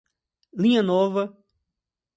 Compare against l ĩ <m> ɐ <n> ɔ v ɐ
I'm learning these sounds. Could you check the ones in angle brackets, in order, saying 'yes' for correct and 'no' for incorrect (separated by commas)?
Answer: no, yes